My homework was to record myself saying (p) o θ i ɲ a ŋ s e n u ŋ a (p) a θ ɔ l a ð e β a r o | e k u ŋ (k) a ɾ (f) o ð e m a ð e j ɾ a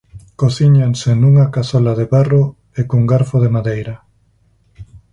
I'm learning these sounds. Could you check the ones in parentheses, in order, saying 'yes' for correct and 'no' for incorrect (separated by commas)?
no, no, no, yes